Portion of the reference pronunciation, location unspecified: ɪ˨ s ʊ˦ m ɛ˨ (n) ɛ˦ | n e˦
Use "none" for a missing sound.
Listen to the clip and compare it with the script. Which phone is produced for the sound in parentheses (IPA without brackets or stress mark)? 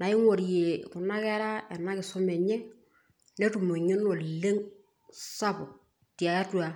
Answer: ɲ